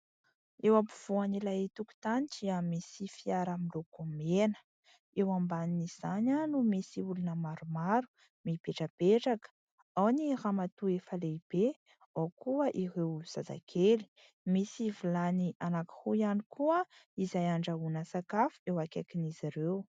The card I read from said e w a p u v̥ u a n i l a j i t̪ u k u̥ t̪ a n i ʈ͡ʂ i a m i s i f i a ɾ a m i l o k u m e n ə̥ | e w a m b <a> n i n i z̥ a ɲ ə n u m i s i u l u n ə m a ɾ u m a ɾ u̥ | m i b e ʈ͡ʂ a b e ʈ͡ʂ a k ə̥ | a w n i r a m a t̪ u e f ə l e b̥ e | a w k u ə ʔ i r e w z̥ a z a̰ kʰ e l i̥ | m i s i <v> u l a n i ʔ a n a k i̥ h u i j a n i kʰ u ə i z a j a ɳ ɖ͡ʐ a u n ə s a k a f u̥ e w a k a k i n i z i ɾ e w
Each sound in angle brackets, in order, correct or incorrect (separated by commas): correct, correct